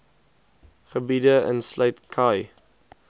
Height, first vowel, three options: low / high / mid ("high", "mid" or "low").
mid